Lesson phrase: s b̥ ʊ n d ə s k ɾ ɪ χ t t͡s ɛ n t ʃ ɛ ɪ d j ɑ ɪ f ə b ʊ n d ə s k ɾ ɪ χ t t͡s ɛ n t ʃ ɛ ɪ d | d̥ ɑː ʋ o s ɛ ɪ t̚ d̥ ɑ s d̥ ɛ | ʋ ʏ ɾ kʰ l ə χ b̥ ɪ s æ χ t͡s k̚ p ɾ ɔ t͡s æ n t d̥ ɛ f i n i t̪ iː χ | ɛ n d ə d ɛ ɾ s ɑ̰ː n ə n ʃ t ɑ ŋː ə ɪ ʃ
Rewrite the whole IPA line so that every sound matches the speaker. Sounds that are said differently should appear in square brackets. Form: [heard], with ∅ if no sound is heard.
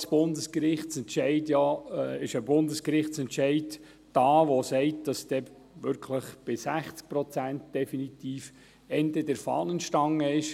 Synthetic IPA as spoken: s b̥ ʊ n d ə s k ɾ ɪ χ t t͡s ɛ n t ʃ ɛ ɪ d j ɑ ɪ [ʃ] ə b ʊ n d ə s k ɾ ɪ χ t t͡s ɛ n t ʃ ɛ ɪ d | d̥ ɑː ʋ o s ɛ ɪ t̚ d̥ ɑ s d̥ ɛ | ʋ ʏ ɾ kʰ l ə χ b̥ ɪ s æ χ t͡s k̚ p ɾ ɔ t͡s æ n t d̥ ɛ f i n i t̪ iː [f] | ɛ n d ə d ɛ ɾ [f] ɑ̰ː n ə n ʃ t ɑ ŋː ə ɪ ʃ